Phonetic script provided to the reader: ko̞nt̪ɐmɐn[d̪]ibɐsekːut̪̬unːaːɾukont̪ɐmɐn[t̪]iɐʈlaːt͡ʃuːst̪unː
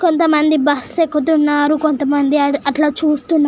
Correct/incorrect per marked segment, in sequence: correct, incorrect: d̪

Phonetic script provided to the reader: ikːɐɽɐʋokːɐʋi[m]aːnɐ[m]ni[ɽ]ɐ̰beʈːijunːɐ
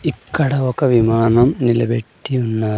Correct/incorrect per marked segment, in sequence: correct, correct, incorrect: l

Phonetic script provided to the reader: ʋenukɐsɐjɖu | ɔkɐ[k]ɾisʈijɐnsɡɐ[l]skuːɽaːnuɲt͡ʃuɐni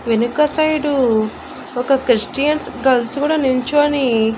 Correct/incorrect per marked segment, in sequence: correct, correct

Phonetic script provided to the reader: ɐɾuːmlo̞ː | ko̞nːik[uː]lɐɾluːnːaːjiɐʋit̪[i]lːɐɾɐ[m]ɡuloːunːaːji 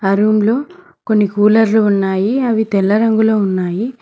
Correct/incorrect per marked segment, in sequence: correct, incorrect: ɛ, incorrect: ŋ

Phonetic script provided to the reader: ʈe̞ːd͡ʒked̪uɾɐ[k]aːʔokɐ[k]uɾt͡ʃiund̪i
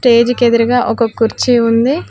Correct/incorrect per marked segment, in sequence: incorrect: ɡ, correct

